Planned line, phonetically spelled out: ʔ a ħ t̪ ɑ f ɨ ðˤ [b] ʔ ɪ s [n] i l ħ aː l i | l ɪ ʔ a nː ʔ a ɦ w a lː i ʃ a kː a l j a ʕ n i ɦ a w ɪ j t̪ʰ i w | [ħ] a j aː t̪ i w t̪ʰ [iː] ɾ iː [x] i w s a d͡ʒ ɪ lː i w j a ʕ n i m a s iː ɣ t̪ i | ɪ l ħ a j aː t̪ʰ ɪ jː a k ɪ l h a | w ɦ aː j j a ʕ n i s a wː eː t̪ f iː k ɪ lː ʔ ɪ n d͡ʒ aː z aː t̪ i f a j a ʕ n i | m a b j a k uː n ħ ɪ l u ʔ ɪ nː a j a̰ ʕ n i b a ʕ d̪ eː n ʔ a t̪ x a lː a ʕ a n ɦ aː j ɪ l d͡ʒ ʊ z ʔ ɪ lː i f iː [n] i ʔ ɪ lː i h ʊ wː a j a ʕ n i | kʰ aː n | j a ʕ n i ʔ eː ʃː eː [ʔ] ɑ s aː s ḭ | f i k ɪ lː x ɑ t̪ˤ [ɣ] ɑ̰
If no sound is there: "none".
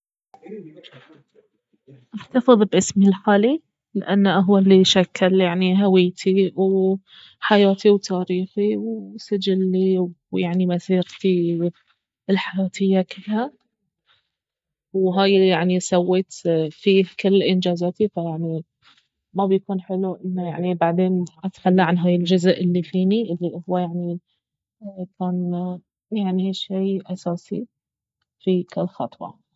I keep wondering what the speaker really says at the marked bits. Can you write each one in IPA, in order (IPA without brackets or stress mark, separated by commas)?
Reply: b, m, ħ, aː, x, n, ʔ, w